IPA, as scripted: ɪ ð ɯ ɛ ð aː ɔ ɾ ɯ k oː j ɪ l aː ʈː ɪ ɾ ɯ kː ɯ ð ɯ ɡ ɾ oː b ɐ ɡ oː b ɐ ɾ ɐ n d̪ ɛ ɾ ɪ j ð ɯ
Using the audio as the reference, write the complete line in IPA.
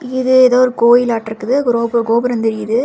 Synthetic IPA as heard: ɪ ð ɯ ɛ ð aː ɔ ɾ ɯ k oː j ɪ l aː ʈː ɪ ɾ ɯ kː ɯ ð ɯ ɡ ɾ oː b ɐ ɡ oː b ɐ ɾ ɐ n d̪ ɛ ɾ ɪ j ð ɯ